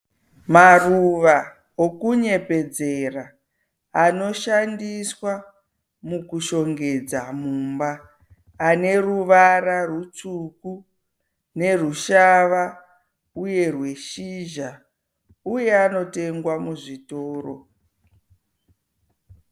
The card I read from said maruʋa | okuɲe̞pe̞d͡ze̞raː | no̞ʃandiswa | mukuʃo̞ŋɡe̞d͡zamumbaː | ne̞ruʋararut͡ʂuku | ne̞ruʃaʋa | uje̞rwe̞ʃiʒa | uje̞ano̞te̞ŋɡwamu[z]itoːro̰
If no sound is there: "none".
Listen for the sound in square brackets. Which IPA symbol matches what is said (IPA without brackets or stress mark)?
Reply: ʐ